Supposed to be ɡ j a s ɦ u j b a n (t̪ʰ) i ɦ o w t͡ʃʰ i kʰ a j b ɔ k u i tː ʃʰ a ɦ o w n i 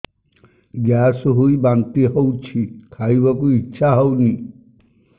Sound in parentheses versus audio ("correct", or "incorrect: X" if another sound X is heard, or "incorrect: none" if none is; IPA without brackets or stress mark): incorrect: t̪